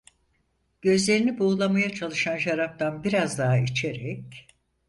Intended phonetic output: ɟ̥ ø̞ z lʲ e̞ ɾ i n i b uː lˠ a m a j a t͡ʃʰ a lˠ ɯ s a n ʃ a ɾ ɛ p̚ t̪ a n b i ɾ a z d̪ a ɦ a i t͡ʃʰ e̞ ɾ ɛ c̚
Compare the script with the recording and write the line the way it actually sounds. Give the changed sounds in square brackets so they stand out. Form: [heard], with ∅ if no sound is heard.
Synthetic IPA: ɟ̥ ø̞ z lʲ e̞ ɾ i n i b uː lˠ a m a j a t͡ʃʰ a lˠ ɯ [ʃ] a n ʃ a ɾ [a] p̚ t̪ a n b i ɾ a z d̪ a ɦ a i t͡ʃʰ e̞ ɾ ɛ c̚

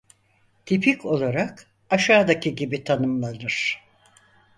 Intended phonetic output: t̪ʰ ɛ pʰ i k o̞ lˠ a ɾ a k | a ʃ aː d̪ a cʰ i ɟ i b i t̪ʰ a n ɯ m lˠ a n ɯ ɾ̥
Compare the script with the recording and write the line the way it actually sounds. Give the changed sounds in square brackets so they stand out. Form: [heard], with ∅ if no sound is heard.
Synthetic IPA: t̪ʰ [i] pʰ i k o̞ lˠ a ɾ a k | a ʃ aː d̪ a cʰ i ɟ i b i t̪ʰ a n ɯ m lˠ a n ɯ ɾ̥

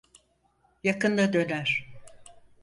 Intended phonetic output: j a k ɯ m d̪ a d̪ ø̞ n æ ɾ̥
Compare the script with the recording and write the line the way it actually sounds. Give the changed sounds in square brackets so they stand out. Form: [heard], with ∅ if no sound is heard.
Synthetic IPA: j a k ɯ [n] d̪ a d̪ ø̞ n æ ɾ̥

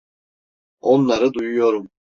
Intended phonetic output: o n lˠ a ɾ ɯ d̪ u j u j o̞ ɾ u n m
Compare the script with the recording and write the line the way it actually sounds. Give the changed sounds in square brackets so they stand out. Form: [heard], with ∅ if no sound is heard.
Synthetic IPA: o n lˠ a ɾ ɯ d̪ u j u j o̞ ɾ u [∅] m

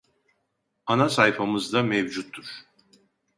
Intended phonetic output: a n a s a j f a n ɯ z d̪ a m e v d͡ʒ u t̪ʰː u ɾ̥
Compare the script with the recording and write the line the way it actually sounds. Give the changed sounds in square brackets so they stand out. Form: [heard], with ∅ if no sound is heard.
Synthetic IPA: a n a s a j f a [m] ɯ z d̪ a m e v d͡ʒ u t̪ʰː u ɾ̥

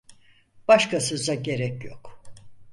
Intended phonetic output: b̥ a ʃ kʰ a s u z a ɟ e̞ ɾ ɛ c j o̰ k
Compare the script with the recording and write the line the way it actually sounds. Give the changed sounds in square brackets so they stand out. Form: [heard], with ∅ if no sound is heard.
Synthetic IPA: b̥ a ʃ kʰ a s [ɯ] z a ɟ e̞ ɾ ɛ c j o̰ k

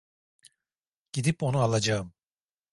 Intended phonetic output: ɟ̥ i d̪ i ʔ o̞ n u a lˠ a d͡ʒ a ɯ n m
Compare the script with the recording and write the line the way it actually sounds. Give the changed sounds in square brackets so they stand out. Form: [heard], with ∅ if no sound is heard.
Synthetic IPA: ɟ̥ i d̪ i [p] o̞ n u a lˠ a d͡ʒ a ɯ [∅] m

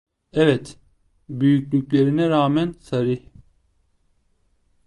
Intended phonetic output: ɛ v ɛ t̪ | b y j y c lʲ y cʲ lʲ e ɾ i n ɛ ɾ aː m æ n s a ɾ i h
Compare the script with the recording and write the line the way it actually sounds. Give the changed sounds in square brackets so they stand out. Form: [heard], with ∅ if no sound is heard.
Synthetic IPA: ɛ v ɛ t̪ | b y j y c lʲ y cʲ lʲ e ɾ i n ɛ ɾ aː m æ n s a ɾ i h

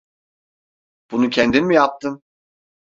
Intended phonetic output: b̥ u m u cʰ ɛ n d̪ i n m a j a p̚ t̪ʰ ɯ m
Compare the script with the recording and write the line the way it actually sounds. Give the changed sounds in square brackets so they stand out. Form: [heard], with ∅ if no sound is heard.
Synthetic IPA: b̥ u [n] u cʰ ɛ n d̪ i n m [i] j a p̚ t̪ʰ ɯ m

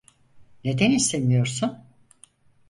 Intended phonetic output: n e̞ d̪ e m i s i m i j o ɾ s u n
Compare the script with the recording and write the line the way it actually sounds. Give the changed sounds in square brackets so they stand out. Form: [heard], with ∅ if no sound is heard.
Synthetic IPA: n e̞ d̪ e [n] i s [e] m i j o ɾ s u n

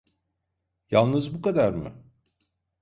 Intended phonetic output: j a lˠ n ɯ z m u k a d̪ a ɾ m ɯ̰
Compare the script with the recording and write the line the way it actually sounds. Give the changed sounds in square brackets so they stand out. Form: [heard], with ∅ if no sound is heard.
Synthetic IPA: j a lˠ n ɯ z [b] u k a d̪ a ɾ m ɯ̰

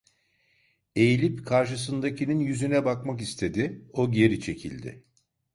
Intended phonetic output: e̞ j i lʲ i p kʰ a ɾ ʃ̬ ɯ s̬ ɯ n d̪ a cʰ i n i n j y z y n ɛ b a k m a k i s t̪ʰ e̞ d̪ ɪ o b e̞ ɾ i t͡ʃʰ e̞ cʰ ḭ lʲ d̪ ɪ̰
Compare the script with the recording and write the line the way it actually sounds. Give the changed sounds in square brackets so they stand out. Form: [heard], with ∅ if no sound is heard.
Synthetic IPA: e̞ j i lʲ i p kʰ a ɾ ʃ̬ ɯ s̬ ɯ n d̪ a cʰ i n i n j y z y n ɛ b a k m a k i s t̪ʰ e̞ d̪ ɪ o [ɟ] e̞ ɾ i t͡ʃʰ e̞ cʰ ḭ lʲ d̪ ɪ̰

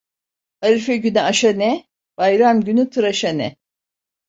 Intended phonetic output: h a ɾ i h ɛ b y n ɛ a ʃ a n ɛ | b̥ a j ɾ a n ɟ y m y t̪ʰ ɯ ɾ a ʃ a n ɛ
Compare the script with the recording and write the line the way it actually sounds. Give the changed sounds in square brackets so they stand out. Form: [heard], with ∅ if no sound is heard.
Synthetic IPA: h a ɾ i [f] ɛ [ɟ] y n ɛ a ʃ a n ɛ | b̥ a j ɾ a [m] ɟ y [n] y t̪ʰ ɯ ɾ a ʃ a n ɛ

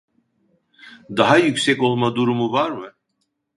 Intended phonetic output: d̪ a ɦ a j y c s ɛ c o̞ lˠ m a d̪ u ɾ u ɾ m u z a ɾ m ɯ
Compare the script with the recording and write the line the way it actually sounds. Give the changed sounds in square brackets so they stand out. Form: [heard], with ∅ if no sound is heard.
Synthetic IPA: d̪ a ɦ a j y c s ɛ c o̞ lˠ m a d̪ u ɾ u [∅] m u [v] a ɾ m ɯ

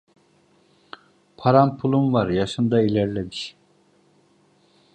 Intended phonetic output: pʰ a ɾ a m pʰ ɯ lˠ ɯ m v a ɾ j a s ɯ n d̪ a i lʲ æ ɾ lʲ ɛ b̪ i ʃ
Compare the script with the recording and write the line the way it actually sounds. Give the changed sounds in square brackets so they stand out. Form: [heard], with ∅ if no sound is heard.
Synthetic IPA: pʰ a ɾ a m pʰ [u] lˠ [u] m v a ɾ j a [ʃ] ɯ n d̪ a i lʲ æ ɾ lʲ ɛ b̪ i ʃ

